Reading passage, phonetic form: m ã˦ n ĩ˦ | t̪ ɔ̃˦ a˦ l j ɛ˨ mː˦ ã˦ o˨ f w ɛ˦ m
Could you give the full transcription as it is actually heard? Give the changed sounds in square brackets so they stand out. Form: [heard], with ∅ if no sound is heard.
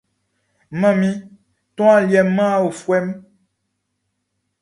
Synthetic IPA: m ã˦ [m] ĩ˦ | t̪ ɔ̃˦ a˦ l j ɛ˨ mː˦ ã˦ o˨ f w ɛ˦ m